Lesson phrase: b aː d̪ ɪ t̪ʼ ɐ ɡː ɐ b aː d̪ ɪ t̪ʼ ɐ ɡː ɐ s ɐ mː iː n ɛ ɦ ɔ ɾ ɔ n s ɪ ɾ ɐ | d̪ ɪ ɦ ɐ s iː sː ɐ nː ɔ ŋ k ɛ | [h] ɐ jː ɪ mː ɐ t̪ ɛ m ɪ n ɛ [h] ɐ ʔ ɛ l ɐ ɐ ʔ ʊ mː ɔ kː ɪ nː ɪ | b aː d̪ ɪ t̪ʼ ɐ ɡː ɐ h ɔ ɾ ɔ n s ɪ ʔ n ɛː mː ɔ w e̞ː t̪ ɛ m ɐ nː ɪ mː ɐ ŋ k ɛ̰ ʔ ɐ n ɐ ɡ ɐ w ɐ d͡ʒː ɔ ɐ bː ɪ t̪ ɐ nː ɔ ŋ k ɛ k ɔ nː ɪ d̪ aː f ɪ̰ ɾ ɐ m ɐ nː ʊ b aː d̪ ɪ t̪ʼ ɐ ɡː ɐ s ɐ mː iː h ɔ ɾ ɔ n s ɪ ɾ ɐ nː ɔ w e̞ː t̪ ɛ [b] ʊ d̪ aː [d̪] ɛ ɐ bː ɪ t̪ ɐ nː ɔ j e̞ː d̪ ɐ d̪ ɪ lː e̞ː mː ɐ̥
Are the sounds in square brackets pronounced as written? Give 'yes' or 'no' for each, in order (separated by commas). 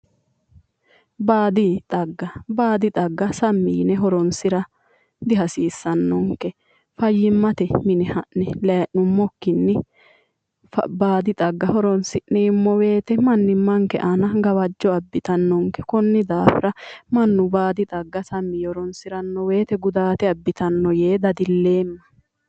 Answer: no, yes, no, no